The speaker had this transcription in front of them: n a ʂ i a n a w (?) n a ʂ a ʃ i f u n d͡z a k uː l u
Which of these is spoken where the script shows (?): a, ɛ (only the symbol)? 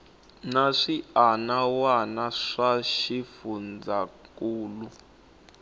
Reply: a